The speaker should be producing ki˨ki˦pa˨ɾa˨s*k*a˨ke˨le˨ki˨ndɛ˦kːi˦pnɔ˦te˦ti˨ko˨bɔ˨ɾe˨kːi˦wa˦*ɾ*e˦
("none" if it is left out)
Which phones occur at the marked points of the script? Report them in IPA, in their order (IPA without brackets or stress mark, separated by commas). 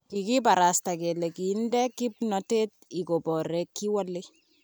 t, l